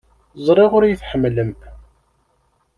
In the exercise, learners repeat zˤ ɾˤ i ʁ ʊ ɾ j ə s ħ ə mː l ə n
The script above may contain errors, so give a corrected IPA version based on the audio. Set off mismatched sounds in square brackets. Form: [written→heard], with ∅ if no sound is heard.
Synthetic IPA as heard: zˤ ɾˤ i ʁ ʊ ɾ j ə [s→θ] ħ ə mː l ə [n→m]

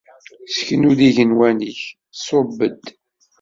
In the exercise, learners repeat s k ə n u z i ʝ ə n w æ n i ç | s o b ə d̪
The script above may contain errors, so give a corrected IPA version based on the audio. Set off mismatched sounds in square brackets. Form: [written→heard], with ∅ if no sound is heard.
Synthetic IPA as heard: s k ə n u [z→ð] i ʝ ə n w æ n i ç | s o b ə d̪

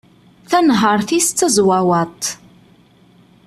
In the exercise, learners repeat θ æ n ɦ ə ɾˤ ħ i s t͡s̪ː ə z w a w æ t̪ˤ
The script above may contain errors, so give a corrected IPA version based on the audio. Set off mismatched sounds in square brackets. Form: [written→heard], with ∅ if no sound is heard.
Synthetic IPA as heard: θ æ n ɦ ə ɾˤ [ħ→θ] i s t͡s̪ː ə z w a w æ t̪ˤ

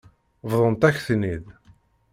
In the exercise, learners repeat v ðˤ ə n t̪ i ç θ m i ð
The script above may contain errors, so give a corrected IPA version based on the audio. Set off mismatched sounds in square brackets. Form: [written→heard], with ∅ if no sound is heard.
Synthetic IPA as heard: v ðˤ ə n t̪ [i→æ] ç θ [m→n] i ð

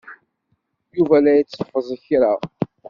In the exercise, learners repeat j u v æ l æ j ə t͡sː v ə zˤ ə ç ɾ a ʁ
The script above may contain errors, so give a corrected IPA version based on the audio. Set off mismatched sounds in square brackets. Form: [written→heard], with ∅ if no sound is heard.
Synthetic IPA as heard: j u v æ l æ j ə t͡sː [v→f] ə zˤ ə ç ɾ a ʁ

